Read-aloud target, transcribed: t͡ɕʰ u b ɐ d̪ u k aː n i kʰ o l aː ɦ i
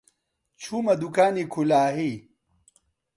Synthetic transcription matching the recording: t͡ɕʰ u m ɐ d̪ u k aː n i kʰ u l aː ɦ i

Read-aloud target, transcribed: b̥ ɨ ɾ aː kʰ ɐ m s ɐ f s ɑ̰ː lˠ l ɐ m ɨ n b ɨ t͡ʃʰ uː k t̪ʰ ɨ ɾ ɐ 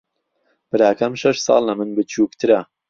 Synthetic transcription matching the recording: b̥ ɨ ɾ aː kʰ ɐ m ʃ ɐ ʃ s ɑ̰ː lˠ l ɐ m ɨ n b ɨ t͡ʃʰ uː k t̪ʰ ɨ ɾ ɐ

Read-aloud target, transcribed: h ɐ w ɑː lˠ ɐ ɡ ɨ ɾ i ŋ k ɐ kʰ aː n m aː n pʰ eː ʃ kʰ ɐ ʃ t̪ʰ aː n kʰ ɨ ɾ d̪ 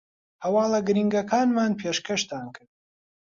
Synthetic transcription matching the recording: h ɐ w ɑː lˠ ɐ ɡ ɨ ɾ i ŋ ɡ ɐ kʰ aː n m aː n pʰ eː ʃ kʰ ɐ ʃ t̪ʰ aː n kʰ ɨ ɾ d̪

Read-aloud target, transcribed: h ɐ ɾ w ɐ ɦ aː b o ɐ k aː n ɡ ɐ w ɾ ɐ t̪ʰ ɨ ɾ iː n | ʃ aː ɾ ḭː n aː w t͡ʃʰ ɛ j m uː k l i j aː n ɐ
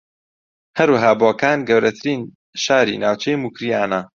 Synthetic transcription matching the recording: h ɐ ɾ w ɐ ɦ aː b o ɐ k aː n ɡ ɐ w ɾ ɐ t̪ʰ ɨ ɾ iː n | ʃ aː ɾ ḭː n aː w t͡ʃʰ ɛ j m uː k ɾ i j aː n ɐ

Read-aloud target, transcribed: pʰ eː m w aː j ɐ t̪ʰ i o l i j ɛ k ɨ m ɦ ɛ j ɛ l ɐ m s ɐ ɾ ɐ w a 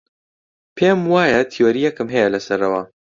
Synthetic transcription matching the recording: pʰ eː m w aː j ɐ t̪ʰ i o ɾ i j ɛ k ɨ m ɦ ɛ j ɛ l ɐ s ɐ ɾ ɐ w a

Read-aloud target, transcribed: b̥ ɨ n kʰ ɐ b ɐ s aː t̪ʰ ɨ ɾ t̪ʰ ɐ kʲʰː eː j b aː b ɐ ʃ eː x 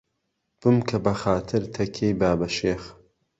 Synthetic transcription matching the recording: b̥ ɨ m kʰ ɐ b ɐ x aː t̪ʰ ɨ ɾ t̪ʰ ɐ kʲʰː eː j b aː b ɐ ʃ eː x

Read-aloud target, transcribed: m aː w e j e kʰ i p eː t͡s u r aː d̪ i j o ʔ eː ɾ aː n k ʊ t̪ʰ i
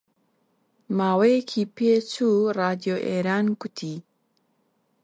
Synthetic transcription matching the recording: m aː w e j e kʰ i p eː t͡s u r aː d̪ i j o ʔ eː ɾ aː n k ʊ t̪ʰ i

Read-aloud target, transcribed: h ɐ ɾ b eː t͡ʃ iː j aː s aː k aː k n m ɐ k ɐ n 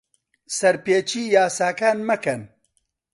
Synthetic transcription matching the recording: s ɐ ɾ p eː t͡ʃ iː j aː s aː k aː n m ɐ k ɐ n

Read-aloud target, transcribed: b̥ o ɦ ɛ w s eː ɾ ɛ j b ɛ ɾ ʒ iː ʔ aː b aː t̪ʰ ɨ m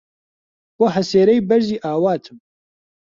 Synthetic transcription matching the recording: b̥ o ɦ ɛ s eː ɾ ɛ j b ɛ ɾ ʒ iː ʔ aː w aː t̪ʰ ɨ m

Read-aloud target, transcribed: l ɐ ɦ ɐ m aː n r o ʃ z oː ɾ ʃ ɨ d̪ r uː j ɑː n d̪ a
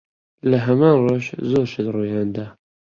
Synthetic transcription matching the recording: l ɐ ɦ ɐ m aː n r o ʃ z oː ɾ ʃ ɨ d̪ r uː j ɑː n d̪ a

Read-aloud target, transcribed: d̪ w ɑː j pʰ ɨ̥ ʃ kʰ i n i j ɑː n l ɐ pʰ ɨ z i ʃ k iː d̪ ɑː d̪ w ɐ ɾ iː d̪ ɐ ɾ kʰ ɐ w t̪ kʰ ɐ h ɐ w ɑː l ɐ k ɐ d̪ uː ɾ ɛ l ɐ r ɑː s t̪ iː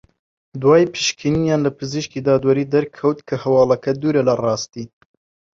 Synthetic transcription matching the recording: d̪ w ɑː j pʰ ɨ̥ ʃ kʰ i n i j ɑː n l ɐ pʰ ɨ z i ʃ k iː d̪ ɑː d̪ w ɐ ɾ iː d̪ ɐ ɾ kʰ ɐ w t̪ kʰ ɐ h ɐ w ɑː l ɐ k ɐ d̪ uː ɾ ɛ l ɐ r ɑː s t̪ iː

